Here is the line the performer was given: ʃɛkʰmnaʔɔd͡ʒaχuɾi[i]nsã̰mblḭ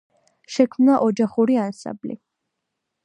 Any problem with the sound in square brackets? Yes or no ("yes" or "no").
yes